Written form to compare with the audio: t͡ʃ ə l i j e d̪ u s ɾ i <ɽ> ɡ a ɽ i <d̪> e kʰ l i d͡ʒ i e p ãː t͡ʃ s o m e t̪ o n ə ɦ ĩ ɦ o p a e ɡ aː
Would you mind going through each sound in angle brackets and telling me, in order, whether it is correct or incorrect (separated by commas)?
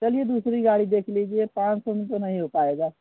incorrect, correct